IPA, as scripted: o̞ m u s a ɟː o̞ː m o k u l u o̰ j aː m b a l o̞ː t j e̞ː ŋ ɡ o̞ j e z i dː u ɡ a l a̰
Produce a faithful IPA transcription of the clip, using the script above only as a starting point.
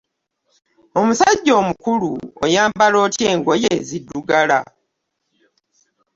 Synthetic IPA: o̞ m u s a ɟː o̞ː m u k u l u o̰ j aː m b a l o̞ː t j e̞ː ŋ ɡ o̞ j e z i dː u ɡ a l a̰